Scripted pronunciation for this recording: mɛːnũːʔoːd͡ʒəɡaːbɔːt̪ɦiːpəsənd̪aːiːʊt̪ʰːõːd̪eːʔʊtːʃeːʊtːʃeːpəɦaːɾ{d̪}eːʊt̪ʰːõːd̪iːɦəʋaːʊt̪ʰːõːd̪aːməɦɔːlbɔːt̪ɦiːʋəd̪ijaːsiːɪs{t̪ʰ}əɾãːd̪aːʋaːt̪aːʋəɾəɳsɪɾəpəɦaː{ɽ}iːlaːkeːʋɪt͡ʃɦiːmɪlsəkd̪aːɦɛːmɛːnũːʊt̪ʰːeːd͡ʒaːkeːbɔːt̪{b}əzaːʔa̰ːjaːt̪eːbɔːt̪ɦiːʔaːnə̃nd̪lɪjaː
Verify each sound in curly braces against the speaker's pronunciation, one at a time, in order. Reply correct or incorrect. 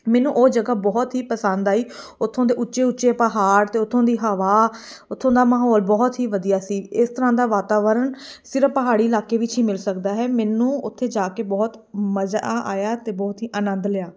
incorrect, incorrect, correct, incorrect

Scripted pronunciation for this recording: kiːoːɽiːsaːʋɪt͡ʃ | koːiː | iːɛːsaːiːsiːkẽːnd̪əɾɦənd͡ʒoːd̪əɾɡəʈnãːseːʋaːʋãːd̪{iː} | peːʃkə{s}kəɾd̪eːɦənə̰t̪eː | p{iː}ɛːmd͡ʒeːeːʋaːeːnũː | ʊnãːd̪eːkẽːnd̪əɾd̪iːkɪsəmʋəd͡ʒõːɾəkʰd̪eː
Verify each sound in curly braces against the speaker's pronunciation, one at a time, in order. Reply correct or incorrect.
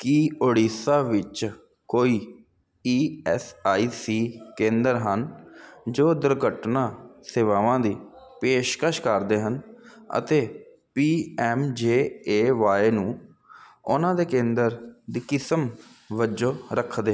correct, incorrect, correct

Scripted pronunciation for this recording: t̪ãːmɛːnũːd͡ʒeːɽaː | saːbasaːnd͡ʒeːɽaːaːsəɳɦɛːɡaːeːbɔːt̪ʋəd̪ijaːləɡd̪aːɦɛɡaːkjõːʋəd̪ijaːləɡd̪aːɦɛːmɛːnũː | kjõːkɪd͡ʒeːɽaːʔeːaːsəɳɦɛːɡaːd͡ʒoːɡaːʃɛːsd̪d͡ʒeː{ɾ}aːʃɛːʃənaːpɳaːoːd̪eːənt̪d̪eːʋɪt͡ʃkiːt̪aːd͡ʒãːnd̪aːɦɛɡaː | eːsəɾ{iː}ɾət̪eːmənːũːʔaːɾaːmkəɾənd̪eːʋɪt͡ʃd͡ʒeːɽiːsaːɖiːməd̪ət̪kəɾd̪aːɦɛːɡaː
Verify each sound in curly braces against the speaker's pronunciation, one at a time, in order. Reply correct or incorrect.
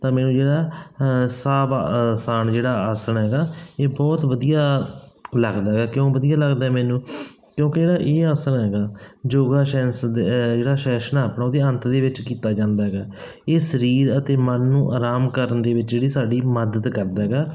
incorrect, correct

